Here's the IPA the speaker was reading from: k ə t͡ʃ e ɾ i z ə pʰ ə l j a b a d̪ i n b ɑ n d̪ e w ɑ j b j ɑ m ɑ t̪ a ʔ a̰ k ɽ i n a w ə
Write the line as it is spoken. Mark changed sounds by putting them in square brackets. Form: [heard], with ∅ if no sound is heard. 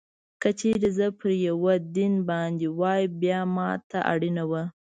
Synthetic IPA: k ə t͡ʃ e ɾ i z ə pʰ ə [ɾ] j a [w] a d̪ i n b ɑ n d̪ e w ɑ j b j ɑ m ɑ t̪ a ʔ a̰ [∅] ɽ i n a w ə